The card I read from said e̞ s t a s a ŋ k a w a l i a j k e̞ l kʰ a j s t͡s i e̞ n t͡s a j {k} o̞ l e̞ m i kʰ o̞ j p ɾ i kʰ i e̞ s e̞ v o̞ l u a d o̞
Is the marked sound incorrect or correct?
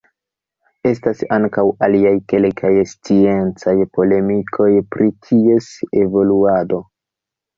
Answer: incorrect